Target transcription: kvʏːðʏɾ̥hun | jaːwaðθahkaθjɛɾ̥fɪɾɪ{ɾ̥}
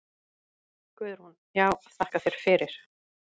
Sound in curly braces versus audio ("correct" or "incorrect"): correct